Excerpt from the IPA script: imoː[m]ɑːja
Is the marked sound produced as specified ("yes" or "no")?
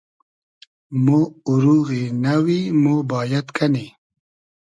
no